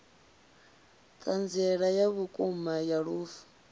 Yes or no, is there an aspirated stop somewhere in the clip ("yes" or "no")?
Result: no